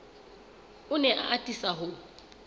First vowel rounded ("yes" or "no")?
yes